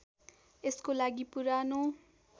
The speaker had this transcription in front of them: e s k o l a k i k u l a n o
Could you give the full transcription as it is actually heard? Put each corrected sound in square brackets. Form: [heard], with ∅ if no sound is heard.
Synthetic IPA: e s k o l a [ɡ] i [p] u [ɾ] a n o